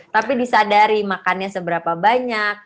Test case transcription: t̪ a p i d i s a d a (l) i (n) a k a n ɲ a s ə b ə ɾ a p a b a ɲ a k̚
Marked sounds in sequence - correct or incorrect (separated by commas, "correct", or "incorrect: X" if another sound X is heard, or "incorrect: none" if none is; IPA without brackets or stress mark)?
incorrect: ɾ, incorrect: m